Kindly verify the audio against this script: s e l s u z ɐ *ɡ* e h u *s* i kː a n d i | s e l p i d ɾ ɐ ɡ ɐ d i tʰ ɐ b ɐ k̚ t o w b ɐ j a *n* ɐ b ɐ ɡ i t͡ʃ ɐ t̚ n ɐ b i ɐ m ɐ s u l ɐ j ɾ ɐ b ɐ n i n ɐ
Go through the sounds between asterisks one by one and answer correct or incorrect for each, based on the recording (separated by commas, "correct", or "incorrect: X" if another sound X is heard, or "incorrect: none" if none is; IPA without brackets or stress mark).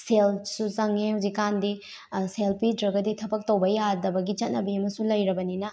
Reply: incorrect: ŋ, incorrect: z, incorrect: d